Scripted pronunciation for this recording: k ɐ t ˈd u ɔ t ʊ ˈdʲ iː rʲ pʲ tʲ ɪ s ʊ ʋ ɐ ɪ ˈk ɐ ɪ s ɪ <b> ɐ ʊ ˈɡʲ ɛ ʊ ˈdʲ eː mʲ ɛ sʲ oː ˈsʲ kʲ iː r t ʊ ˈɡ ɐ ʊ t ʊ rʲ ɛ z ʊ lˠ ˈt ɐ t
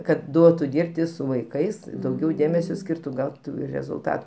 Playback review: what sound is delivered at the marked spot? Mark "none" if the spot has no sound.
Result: d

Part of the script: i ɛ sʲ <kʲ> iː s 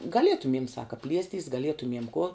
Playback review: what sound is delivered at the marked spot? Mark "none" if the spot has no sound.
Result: tʲ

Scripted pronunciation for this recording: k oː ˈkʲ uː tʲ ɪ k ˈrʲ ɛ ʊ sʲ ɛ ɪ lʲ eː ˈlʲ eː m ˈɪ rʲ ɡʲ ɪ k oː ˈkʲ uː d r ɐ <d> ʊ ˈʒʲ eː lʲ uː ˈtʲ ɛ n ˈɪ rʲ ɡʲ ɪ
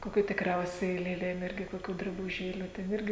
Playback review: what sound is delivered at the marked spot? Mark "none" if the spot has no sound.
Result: b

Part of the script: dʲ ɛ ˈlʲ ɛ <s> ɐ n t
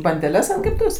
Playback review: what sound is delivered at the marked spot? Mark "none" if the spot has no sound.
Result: s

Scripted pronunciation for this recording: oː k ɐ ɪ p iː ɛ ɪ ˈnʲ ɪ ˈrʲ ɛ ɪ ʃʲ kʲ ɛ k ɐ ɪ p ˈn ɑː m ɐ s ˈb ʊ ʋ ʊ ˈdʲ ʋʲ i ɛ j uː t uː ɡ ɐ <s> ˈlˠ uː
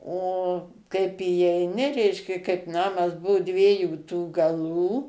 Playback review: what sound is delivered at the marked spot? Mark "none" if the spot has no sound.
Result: none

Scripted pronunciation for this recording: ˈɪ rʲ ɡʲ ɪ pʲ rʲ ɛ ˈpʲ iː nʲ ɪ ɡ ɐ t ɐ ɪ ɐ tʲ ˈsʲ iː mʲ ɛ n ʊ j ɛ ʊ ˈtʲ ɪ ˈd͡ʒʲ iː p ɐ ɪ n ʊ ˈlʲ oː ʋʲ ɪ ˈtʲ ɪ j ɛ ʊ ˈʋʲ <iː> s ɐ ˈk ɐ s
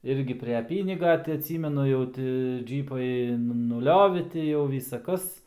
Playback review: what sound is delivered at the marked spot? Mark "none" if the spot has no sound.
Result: iː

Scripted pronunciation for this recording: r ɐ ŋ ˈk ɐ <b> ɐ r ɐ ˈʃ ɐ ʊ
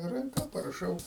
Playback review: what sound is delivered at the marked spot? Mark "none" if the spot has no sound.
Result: p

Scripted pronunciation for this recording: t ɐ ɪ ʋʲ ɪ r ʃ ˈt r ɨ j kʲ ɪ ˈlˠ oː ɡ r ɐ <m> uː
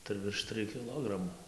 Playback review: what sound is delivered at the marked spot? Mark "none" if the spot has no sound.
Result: m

